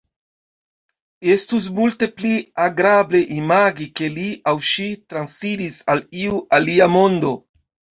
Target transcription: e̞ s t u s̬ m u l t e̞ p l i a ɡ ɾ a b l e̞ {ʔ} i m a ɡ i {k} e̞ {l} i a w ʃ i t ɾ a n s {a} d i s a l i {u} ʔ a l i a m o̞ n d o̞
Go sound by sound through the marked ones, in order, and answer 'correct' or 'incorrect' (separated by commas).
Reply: correct, correct, correct, incorrect, correct